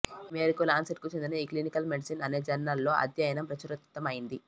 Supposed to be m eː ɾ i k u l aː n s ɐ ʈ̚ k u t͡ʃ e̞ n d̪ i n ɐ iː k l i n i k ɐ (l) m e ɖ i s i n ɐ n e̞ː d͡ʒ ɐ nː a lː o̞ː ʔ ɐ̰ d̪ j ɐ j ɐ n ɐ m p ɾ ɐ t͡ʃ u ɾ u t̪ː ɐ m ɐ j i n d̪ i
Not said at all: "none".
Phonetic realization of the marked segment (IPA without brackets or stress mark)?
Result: l